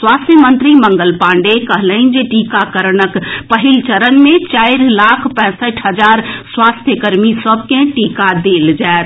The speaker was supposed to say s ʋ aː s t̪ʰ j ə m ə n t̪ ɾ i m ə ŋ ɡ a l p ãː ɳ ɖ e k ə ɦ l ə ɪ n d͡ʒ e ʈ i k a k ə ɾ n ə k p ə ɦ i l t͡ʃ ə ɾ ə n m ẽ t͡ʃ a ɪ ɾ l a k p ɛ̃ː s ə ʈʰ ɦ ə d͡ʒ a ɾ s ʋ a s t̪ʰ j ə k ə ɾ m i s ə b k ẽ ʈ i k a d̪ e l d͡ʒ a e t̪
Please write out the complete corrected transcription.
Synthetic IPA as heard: s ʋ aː s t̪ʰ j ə m ə n t̪ ɾ i m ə ŋ ɡ ə l p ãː ɳ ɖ e k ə ɦ l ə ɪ n d͡ʒ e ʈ i k a k ə ɾ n ə k p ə ɦ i l t͡ʃ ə ɾ ə n m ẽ t͡ʃ a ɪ ɾ l a kʰ p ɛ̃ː s ə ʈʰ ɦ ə d͡ʒ a ɾ s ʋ a s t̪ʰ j ə k ə ɾ m i s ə b k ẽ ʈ i k a d̪ e l d͡ʒ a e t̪

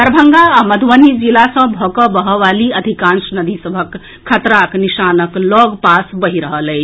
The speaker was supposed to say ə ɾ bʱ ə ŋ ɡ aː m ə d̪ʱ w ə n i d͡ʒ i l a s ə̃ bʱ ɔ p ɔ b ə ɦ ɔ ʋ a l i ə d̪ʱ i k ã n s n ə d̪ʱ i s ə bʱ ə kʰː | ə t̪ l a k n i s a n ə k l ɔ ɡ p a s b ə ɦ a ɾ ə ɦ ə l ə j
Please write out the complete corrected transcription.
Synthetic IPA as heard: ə ɾ bʱ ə ŋ ɡ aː m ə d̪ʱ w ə n i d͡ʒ i l a s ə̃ bʱ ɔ k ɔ b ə ɦ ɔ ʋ a l i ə d̪ʱ i k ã n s n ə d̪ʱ i s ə bʱ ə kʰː | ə t̪ ɾ a k n i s a n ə k l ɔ ɡ p a s b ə ɦ i ɾ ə ɦ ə l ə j

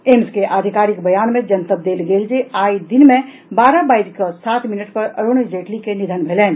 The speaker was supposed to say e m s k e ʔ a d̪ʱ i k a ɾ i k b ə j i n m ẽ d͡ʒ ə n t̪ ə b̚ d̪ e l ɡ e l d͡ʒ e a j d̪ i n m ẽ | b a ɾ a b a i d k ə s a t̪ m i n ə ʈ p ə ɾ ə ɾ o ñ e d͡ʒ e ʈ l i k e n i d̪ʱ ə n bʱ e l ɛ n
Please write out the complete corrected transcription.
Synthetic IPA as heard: e m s k e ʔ a d̪ʱ i k a ɾ i k b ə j a n m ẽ d͡ʒ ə n t̪ ə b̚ d̪ e l ɡ e l d͡ʒ e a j d̪ i n m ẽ | b a ɾ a b a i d k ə s a t̪ m i n ə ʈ p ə ɾ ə ɾ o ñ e d͡ʒ e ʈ l i k e n i d̪ʱ ə n bʱ e l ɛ n

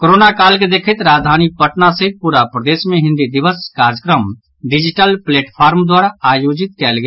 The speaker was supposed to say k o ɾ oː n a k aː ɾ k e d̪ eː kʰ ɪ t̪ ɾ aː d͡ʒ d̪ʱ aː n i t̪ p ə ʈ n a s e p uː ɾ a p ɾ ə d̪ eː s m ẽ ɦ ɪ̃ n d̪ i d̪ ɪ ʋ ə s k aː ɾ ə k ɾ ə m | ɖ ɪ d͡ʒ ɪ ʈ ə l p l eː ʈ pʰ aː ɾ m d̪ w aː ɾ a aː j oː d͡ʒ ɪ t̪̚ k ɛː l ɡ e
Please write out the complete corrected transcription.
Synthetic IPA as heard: k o ɾ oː n a k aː l k e d̪ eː kʰ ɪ t̪ ɾ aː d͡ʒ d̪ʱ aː n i p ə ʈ n a s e p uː ɾ a p ɾ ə d̪ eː s m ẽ ɦ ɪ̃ n d̪ i d̪ ɪ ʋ ə s k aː ɾ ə k ɾ ə m | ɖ ɪ d͡ʒ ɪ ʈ ə l p l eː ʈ pʰ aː ɾ m d̪ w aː ɾ a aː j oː d͡ʒ ɪ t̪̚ k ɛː l ɡ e

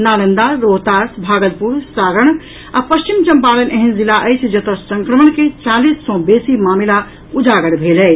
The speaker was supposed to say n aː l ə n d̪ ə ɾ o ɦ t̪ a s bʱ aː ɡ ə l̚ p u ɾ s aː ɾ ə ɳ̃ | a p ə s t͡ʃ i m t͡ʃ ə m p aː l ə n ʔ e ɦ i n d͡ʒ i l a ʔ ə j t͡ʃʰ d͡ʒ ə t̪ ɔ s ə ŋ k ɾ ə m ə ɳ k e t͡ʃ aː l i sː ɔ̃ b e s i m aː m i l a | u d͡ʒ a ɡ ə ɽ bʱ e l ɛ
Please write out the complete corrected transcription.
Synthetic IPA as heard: n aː l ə n d̪ a ɾ o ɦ t̪ a s bʱ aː ɡ ə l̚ p u ɾ s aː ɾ ə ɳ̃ | a p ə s t͡ʃ i m t͡ʃ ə m p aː l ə n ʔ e ɦ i n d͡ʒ i l a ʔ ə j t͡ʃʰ d͡ʒ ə t̪ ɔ s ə ŋ k ɾ ə m ə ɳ k e t͡ʃ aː l i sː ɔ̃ b e s i m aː m i l a | u d͡ʒ a ɡ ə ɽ bʱ e l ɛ

